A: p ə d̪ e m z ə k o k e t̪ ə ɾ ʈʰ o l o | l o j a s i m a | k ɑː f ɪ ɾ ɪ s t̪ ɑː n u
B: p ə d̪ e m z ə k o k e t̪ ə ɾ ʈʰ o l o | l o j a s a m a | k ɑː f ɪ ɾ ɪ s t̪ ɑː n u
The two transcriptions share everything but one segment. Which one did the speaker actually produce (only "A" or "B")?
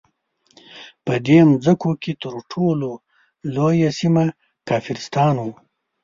A